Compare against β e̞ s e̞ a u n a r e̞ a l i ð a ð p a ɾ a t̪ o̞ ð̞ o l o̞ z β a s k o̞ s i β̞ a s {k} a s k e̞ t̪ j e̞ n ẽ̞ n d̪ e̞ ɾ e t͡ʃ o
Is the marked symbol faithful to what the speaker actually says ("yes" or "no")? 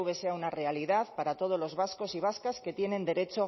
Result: yes